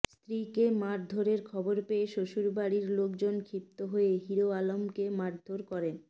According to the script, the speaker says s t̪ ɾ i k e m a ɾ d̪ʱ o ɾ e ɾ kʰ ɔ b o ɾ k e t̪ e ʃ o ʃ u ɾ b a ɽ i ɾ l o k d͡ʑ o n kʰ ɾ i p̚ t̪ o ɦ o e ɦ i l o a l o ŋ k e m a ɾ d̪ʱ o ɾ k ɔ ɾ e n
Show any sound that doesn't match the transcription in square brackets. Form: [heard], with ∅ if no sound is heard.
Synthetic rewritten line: s t̪ ɾ i k e m a ɾ d̪ʱ o ɾ e ɾ kʰ ɔ b o ɾ [p] e [∅] e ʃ o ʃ u ɾ b a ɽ i ɾ l o k d͡ʑ o n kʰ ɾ i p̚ t̪ o ɦ o e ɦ i [ɾ] o a l o [m] k e m a ɾ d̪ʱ o ɾ k ɔ ɾ e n